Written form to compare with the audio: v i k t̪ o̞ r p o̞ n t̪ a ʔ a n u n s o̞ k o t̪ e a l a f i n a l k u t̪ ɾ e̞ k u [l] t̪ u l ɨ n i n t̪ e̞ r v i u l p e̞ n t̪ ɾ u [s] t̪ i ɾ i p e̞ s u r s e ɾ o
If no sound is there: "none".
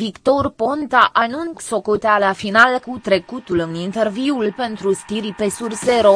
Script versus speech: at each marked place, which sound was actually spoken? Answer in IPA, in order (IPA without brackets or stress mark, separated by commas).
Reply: none, s